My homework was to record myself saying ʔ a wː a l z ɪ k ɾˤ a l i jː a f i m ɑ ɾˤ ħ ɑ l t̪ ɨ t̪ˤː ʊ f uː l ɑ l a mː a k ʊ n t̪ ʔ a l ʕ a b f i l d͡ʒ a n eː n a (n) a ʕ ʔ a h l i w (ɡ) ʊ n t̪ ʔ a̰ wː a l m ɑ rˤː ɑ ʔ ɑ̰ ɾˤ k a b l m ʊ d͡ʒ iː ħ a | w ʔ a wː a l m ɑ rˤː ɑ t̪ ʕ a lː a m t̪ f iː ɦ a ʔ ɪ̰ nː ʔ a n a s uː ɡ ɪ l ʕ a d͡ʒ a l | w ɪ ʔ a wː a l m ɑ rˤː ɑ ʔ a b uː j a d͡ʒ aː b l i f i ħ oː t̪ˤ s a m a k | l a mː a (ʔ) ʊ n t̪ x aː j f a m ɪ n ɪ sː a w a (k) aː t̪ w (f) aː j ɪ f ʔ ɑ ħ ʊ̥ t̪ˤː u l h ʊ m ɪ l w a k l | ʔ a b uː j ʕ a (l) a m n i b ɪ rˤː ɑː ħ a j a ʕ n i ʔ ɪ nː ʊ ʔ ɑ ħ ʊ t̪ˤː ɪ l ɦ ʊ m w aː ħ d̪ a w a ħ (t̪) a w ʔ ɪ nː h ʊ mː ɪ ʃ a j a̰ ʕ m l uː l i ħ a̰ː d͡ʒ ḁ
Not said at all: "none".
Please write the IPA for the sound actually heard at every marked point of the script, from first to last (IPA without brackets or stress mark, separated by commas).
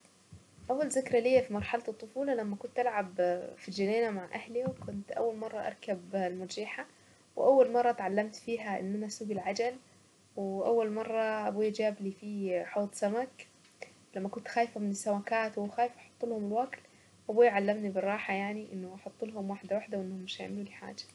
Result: m, k, k, k, x, lː, d̪